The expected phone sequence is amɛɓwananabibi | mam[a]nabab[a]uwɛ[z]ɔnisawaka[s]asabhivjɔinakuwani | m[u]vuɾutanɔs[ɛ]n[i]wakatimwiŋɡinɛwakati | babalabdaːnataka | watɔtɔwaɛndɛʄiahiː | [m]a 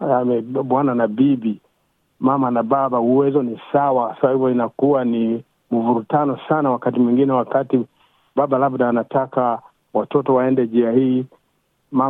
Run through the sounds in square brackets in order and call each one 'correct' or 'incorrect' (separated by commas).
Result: correct, correct, correct, correct, correct, incorrect, incorrect, correct